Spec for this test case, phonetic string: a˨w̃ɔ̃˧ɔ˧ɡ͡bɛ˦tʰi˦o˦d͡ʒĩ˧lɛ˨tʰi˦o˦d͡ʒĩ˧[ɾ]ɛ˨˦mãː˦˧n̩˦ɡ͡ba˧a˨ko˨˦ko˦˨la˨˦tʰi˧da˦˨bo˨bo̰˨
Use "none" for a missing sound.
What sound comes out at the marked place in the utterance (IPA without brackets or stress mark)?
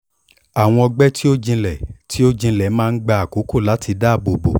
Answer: l